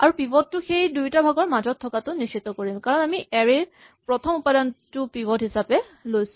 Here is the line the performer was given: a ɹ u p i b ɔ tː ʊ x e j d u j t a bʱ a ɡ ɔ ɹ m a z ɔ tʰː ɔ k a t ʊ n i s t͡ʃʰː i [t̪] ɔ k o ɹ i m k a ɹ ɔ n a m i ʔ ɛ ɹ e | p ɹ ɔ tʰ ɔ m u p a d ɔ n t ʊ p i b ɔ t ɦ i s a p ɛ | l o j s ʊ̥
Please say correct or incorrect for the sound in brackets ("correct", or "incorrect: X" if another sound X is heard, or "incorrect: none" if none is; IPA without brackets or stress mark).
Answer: correct